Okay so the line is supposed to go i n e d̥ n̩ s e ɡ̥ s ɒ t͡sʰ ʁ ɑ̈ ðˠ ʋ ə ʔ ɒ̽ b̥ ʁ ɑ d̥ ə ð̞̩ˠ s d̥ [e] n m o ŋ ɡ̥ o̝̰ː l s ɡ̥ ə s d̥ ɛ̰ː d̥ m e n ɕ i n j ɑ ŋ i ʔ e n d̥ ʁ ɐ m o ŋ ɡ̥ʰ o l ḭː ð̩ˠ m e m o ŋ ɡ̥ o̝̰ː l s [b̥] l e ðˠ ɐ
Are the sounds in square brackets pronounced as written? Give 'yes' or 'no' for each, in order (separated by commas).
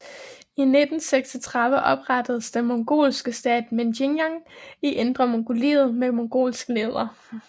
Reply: yes, no